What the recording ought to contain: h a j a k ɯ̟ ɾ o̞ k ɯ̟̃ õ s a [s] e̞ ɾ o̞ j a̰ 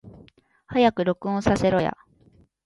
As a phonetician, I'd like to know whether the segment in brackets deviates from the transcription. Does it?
no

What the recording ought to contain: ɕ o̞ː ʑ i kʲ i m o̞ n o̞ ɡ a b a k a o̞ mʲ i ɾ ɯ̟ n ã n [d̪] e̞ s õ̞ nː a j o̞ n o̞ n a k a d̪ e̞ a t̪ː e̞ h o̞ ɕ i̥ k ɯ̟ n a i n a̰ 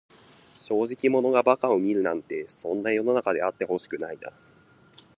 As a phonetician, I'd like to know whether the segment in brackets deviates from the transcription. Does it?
yes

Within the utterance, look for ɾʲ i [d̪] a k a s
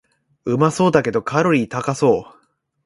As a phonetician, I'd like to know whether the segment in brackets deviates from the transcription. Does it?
yes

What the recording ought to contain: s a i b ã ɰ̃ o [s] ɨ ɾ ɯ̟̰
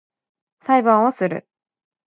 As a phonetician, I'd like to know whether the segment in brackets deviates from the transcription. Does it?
no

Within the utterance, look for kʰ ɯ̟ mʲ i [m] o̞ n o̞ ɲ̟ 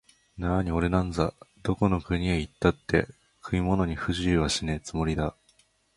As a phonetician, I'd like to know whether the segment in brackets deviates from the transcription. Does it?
no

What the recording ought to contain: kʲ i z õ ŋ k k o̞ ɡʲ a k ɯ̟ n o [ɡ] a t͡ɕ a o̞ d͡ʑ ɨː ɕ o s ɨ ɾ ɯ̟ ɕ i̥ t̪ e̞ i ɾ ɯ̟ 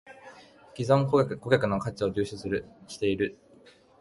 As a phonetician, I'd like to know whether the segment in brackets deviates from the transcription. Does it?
yes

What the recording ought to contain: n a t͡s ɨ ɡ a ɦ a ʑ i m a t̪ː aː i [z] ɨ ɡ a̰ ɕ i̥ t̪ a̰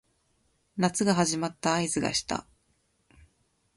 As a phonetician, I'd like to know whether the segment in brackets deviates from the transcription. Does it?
no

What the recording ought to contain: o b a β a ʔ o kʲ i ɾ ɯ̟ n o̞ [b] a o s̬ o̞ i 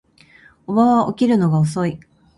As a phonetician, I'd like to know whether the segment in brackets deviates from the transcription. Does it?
yes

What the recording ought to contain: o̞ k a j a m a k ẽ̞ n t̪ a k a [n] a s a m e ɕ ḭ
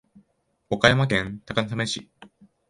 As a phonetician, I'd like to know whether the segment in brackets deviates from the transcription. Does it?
no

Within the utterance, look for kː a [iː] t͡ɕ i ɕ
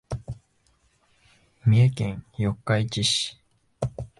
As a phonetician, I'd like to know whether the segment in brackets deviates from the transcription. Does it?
yes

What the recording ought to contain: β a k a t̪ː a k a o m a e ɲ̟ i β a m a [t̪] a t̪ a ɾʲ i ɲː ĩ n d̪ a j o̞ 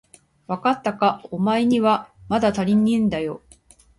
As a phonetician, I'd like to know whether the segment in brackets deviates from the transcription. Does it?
yes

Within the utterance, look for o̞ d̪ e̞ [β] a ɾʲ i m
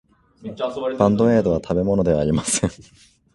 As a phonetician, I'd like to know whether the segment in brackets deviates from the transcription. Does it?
no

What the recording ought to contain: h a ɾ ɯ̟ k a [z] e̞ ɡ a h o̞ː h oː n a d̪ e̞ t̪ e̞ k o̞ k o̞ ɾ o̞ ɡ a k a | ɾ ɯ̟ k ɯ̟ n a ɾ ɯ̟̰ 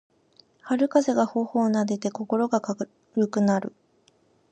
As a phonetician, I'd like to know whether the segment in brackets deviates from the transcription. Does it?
no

